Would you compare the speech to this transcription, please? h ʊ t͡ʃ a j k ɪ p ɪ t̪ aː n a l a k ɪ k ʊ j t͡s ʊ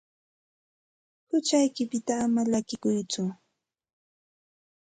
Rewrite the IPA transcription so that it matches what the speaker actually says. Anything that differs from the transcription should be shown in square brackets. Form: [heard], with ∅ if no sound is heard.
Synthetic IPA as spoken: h ʊ t͡ʃ a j k ɪ p ɪ t̪ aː [m] a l a k ɪ k ʊ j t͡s ʊ